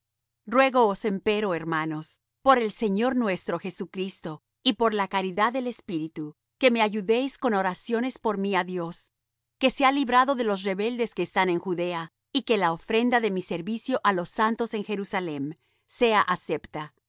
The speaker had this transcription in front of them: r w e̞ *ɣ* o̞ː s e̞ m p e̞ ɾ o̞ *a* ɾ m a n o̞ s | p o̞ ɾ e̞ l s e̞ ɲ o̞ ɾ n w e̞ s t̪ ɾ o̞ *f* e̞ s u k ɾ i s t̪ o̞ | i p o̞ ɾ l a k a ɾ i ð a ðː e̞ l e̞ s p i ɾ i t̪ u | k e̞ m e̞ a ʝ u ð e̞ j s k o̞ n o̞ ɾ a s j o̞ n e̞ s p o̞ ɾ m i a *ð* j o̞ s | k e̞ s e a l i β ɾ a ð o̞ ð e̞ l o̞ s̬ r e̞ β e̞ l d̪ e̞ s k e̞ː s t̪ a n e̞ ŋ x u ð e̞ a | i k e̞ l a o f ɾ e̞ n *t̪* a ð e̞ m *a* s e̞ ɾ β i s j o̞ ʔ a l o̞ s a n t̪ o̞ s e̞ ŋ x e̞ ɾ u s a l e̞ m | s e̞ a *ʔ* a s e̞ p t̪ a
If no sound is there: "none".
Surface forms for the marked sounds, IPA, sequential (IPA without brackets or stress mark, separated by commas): ɣ, e, x, ð, d̪, i, ʔ